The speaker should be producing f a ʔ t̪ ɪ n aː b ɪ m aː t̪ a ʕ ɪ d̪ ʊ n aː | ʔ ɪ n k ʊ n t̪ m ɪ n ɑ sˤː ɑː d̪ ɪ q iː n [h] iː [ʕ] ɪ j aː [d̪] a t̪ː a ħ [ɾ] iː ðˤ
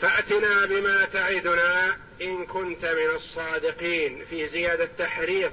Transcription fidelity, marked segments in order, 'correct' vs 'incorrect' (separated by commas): incorrect, incorrect, correct, correct